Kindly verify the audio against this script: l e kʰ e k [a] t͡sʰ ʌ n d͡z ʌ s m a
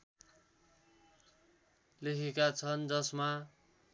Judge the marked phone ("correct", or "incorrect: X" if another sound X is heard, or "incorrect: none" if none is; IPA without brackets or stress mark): correct